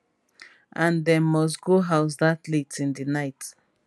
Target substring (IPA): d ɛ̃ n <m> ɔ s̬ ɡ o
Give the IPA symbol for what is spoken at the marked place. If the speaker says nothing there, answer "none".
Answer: m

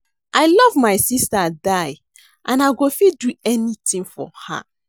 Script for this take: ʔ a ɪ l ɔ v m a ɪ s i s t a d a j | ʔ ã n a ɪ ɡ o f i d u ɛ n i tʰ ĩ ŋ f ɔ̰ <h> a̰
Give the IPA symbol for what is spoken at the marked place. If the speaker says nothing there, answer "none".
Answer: h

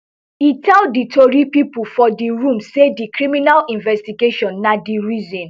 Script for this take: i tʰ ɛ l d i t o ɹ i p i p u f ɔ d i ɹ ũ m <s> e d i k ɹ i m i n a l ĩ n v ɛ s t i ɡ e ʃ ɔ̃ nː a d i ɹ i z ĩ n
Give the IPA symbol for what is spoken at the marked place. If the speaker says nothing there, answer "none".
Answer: s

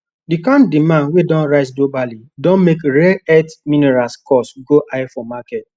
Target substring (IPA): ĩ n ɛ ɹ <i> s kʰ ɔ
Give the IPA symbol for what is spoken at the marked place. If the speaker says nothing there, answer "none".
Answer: a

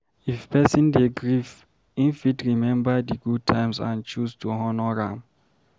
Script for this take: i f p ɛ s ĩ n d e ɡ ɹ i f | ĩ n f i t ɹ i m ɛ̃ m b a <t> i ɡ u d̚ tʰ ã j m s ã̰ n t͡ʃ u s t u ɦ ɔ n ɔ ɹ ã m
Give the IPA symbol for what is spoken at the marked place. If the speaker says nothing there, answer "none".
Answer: d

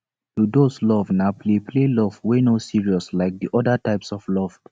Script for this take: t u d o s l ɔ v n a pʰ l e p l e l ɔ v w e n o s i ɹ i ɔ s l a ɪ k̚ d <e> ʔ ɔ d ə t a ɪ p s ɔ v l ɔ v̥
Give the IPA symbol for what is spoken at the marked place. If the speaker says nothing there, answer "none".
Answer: i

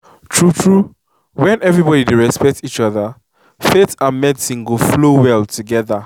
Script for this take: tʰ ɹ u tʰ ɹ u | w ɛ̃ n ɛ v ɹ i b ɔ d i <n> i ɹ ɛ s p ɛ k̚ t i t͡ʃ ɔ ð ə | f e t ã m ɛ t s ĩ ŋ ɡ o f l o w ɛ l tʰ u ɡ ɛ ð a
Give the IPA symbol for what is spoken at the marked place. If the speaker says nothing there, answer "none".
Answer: d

